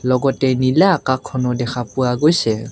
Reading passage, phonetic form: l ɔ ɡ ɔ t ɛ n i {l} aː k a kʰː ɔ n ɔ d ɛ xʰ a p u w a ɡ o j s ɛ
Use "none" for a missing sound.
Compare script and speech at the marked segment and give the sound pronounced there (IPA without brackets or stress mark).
l